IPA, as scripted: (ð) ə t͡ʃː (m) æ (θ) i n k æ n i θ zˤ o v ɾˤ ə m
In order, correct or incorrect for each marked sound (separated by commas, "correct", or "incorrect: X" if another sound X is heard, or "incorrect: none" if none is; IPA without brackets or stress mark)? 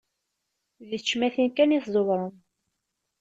correct, correct, correct